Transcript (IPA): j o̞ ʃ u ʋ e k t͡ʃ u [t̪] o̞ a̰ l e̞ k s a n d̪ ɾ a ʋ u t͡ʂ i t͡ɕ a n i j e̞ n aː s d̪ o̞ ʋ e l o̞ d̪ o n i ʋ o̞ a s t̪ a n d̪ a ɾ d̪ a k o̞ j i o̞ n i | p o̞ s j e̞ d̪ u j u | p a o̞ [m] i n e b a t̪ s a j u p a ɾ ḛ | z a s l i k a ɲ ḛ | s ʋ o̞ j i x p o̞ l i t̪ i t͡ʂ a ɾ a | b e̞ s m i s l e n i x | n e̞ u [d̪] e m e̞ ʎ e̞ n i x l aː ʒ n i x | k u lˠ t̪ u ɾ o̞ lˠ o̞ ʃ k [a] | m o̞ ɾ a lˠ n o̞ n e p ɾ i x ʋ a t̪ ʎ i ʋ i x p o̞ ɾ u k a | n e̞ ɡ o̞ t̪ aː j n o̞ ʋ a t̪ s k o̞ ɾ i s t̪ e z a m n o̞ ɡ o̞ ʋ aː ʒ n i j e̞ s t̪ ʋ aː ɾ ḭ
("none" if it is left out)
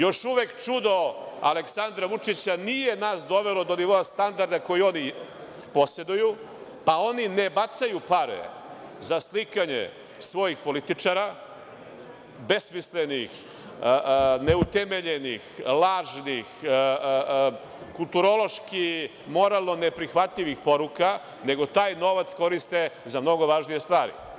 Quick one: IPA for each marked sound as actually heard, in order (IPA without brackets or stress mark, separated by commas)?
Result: d̪, n, t̪, i